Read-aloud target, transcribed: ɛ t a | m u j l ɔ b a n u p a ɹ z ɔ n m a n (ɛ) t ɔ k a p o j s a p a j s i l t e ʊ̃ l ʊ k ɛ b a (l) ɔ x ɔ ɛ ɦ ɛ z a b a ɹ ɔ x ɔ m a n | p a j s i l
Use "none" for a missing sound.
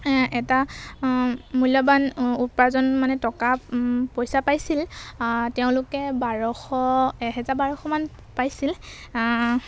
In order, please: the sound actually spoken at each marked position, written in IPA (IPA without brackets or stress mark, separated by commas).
ɛ, ɹ